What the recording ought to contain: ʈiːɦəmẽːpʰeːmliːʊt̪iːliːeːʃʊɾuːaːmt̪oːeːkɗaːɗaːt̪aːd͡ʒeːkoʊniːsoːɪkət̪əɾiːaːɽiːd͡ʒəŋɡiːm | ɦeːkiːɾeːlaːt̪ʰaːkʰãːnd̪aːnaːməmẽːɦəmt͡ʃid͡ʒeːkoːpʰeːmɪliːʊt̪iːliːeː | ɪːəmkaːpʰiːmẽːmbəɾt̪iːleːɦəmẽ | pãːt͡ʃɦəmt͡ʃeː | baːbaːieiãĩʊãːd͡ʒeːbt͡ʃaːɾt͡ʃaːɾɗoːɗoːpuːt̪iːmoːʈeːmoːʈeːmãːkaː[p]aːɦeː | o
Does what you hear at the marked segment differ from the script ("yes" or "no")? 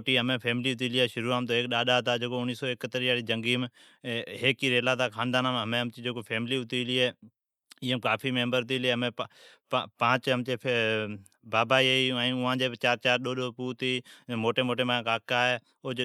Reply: yes